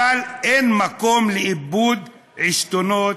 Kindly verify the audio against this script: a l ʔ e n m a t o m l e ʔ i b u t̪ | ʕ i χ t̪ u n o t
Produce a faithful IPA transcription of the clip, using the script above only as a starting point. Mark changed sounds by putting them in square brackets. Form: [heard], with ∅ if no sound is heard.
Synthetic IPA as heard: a l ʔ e n m a [k] o m l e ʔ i b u [d̪] | ʕ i [ʃ] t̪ [o] n o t